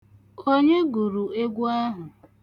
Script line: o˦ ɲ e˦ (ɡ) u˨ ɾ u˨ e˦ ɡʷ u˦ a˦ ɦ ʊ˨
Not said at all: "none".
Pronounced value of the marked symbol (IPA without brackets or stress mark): ɡ